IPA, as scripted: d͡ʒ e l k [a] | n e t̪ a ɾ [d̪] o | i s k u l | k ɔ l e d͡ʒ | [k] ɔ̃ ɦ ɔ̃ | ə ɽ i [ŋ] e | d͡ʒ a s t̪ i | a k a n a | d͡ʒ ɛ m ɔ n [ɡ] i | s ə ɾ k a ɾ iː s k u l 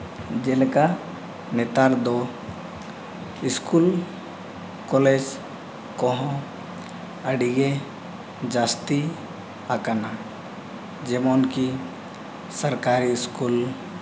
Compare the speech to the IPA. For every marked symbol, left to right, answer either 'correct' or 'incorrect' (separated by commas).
correct, correct, correct, incorrect, incorrect